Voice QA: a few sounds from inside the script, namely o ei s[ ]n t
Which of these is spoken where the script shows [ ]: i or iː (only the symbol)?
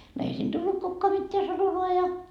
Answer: iː